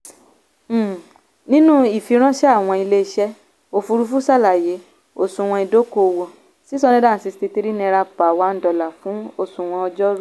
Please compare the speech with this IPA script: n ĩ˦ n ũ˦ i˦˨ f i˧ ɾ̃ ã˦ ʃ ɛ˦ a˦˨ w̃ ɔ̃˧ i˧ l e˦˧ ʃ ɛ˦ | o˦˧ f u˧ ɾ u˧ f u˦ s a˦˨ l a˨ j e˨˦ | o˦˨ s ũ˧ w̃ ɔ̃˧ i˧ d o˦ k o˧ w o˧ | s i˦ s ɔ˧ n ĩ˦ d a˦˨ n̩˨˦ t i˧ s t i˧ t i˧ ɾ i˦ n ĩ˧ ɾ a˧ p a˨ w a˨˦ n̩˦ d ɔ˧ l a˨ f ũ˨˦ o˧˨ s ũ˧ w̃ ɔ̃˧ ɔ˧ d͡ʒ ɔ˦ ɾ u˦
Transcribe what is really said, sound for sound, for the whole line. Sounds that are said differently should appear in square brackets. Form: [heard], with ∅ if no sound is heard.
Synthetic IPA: n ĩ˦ n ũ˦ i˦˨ f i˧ ɾ̃ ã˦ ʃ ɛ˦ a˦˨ w̃ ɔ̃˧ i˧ l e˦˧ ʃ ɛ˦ | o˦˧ f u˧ ɾ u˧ f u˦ s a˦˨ l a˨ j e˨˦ | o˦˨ s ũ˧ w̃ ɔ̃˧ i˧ d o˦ k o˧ w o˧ | s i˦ s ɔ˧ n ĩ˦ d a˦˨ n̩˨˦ [s] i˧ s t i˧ t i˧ ɾ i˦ n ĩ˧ ɾ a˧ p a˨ w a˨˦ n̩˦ d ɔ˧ l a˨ f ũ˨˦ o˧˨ s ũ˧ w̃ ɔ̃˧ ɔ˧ d͡ʒ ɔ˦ ɾ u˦